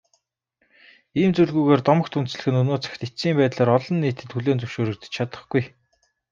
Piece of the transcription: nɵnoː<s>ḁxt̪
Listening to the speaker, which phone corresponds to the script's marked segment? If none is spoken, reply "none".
t͡s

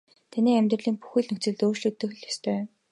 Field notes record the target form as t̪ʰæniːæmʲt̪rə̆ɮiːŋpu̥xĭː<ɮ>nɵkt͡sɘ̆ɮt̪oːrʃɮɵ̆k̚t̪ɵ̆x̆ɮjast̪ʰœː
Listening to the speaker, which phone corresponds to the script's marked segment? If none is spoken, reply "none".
ɮ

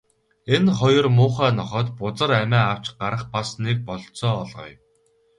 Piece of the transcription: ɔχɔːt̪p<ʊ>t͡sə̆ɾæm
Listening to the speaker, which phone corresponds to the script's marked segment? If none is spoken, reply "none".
ʊ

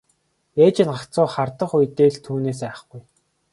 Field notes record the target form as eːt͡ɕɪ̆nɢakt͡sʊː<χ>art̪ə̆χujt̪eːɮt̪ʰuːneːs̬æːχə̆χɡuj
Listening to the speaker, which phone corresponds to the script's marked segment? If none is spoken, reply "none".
χ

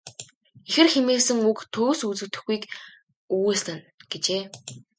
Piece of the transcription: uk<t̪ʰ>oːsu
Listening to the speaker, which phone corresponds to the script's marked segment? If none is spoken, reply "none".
t̪ʰ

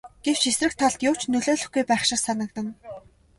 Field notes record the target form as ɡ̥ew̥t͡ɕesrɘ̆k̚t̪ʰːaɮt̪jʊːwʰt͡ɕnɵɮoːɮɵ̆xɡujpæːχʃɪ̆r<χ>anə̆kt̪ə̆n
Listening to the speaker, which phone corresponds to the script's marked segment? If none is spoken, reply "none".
s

